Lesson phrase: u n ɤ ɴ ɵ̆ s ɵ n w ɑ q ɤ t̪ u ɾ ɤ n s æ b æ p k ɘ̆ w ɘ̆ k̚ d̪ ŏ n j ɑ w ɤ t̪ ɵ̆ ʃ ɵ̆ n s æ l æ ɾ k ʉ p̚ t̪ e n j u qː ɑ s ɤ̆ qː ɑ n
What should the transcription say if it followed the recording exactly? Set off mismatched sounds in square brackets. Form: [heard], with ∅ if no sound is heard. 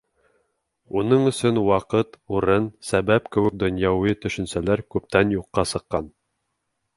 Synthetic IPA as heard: u n ɤ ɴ ɵ̆ s ɵ n w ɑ q ɤ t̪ u ɾ ɤ n s æ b æ p k ɘ̆ w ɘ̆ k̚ d̪ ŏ n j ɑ w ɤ t̪ ɵ̆ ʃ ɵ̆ n s æ l æ ɾ k ʉ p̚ t̪ [æ] n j u qː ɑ s ɤ̆ qː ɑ n